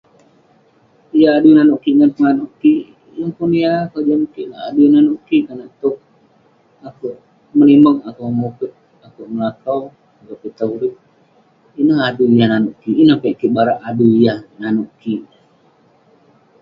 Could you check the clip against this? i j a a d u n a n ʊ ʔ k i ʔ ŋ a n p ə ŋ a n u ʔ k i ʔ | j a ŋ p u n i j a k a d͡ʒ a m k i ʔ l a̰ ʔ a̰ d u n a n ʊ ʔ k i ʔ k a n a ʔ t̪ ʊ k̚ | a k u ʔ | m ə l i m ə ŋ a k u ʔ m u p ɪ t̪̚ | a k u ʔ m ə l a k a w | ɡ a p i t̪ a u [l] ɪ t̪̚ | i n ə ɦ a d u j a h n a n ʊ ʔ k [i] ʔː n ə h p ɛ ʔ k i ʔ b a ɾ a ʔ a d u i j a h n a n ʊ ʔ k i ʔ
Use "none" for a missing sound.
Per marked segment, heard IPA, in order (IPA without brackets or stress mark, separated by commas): ɾ, i